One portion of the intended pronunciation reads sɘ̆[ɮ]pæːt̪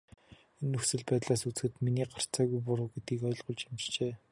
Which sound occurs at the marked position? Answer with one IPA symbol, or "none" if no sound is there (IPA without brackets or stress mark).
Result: ɮ